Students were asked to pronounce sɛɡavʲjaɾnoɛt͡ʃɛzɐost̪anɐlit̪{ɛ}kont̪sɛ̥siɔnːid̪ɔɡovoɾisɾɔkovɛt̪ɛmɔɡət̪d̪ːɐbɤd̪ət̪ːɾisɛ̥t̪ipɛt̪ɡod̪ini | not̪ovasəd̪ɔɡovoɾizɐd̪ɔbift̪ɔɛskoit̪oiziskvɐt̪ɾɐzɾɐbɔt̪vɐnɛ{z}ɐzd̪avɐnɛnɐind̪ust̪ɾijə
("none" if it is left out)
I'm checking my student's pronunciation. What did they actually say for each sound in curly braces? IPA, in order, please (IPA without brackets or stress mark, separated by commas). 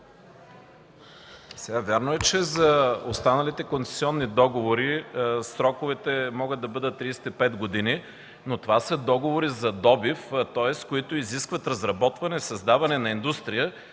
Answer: ɛ, s